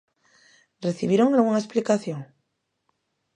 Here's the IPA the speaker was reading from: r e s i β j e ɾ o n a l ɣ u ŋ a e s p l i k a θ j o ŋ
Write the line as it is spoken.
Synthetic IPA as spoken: r e θ i β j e ɾ o ŋ a l ɣ u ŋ a e s p l i k a θ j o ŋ